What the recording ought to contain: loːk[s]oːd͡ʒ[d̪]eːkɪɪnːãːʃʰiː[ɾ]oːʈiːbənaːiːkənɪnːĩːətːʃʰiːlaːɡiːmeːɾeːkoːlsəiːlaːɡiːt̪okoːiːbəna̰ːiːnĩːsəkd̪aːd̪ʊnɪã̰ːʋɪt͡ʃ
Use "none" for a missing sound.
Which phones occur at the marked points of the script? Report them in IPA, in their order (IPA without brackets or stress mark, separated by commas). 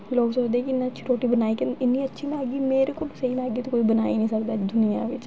s, d̪, ɾ